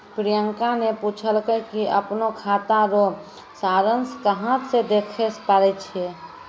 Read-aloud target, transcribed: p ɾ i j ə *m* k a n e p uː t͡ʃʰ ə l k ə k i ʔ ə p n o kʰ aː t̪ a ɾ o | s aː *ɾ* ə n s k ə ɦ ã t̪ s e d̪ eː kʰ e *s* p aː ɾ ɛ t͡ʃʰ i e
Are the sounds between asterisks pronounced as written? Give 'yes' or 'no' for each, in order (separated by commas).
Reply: no, yes, yes